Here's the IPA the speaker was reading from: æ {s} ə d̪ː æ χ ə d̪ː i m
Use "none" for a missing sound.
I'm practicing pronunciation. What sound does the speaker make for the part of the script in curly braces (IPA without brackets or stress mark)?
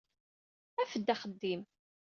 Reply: f